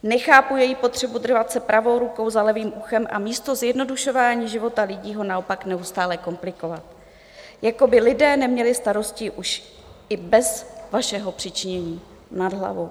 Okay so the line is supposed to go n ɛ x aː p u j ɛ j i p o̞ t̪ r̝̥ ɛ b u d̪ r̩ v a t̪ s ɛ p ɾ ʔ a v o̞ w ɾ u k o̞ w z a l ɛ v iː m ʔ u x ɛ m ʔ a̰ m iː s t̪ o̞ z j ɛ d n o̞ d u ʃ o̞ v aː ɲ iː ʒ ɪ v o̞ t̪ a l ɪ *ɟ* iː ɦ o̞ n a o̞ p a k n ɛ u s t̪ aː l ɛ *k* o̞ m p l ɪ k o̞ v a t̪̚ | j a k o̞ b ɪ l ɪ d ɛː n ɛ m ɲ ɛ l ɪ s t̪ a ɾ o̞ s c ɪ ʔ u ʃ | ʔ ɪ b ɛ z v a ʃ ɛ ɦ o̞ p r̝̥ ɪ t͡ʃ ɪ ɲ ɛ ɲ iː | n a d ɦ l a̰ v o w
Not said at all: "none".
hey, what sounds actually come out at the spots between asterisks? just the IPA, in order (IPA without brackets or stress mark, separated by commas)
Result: ɟ, k